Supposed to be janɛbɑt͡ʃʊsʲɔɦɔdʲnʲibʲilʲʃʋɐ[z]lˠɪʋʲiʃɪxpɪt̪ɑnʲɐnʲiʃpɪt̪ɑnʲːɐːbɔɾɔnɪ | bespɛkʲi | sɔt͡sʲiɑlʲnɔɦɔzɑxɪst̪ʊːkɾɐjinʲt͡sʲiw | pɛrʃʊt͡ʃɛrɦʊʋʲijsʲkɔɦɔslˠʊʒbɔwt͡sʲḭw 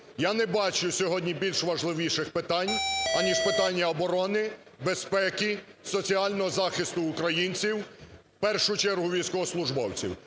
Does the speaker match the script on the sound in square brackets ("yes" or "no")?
no